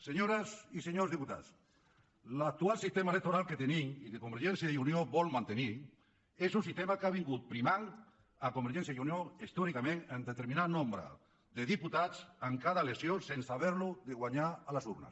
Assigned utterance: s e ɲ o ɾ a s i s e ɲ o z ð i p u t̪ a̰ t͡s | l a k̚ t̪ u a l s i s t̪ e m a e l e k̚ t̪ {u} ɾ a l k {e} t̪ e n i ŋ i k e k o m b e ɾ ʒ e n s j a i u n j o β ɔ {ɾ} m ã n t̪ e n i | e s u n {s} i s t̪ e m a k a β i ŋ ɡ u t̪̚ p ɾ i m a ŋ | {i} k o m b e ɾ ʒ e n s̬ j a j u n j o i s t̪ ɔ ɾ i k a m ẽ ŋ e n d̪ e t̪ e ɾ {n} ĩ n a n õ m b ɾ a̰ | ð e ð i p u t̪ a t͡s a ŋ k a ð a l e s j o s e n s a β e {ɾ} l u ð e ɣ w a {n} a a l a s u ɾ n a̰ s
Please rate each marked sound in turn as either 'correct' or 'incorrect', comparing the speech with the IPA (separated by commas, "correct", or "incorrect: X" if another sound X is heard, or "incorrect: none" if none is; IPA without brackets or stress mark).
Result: incorrect: o, correct, incorrect: l, correct, incorrect: a, incorrect: m, correct, incorrect: ɲ